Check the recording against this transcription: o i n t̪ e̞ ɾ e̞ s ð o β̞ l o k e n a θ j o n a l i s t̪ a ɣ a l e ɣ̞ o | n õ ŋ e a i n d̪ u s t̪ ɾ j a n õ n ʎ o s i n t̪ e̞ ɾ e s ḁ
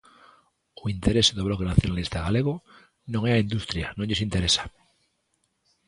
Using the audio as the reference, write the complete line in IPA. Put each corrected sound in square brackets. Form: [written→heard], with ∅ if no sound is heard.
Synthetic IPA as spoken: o i n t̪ e̞ ɾ e̞ s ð o β̞ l o k e n a θ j o n a l i s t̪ a ɣ a l e ɣ̞ o | n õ ŋ e a i n d̪ u s t̪ ɾ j a n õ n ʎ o s i n t̪ e̞ ɾ e s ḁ

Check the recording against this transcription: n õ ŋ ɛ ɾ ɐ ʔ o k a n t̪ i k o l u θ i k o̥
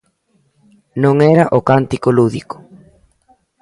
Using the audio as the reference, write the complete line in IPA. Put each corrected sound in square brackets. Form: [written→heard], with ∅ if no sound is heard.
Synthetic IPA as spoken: n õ ŋ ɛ ɾ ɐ ʔ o k a n t̪ i k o l u [θ→ð] i k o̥

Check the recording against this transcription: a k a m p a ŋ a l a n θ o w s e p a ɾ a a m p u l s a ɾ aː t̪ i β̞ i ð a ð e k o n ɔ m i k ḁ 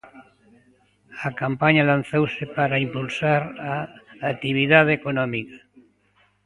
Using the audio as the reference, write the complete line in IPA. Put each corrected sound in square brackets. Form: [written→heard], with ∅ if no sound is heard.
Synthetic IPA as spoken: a k a m p a [ŋ→ɲ] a l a n θ o w s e p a ɾ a [a→i] m p u l s a ɾ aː t̪ i β̞ i ð a ð e k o n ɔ m i k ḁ

